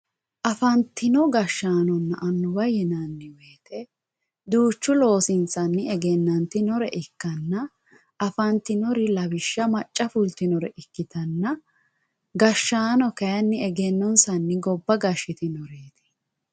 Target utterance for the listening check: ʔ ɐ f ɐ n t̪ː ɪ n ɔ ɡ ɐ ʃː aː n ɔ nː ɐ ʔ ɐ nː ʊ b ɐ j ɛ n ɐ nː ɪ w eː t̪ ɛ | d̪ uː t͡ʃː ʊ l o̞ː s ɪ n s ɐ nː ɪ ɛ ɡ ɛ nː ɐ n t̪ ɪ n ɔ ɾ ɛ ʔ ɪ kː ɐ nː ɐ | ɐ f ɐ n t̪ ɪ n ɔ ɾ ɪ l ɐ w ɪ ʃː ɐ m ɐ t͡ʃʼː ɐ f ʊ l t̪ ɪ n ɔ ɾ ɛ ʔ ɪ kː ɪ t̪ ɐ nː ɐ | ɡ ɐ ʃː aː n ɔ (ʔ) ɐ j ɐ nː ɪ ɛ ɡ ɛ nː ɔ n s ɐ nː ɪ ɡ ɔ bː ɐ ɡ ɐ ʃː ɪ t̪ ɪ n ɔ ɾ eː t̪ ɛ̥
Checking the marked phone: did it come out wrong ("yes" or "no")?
yes